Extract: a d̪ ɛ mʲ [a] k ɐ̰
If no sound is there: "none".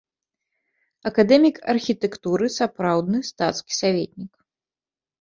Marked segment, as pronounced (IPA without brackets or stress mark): i